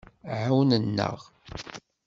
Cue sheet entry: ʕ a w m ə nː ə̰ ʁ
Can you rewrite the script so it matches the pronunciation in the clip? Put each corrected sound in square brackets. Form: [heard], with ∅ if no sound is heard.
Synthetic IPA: ʕ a w [n] ə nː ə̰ ʁ